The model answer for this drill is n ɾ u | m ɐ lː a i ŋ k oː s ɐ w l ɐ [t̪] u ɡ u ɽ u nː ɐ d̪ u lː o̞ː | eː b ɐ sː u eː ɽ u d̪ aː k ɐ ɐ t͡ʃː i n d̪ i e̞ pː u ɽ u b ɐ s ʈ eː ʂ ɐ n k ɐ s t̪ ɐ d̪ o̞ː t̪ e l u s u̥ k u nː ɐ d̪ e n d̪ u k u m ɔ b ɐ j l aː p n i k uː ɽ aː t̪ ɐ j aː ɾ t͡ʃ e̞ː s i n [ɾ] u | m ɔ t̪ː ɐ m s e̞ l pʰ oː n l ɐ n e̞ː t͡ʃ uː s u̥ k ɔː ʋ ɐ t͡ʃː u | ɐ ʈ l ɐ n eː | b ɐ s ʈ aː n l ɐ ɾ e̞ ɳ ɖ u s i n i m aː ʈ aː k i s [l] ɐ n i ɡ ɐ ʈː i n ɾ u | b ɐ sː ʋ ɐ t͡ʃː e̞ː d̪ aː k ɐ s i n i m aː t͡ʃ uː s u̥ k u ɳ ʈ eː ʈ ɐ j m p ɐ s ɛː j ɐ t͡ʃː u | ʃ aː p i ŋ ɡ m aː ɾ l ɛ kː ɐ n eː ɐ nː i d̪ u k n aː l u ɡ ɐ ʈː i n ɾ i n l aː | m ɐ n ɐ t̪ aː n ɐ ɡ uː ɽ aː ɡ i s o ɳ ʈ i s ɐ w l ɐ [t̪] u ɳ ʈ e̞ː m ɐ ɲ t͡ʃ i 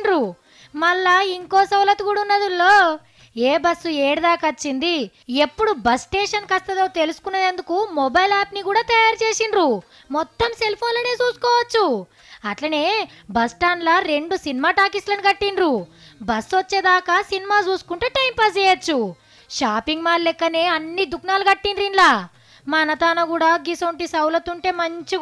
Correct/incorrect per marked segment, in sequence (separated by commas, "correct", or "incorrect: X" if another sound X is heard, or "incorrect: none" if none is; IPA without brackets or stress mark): correct, correct, correct, correct